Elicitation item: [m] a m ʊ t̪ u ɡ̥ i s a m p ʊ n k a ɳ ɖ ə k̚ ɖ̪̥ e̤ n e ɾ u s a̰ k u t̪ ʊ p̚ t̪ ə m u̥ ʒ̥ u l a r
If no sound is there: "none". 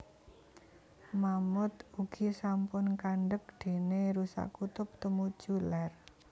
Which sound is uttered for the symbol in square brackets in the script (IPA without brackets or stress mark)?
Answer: m